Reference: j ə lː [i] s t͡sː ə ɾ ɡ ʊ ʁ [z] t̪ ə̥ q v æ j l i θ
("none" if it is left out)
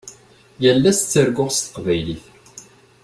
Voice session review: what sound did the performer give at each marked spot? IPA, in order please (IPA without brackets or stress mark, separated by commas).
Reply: æ, s